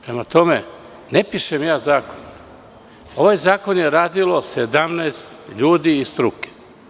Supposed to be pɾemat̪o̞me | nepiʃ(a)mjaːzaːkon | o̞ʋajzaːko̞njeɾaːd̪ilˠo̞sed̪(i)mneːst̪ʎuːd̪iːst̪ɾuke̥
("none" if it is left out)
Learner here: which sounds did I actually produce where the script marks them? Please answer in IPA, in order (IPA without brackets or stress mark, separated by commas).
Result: e, a